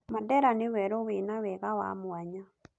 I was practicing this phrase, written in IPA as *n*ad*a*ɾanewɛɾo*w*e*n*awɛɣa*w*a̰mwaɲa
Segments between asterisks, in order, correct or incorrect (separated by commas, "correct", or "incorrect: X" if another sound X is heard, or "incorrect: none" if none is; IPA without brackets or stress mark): incorrect: m, incorrect: ɛ, correct, correct, correct